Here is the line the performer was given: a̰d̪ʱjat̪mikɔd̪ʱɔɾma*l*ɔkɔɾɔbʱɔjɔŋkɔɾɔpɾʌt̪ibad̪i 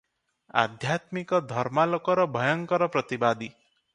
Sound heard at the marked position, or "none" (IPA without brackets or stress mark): l